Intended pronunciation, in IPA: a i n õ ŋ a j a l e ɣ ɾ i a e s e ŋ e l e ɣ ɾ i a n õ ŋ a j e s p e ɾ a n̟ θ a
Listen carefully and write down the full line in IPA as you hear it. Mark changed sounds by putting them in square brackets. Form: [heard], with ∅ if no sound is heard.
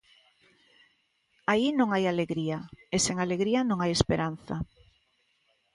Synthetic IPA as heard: a i n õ ŋ a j a l e ɣ ɾ i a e s e ŋ [a] l e ɣ ɾ i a n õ ŋ a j e s p e ɾ a n̟ θ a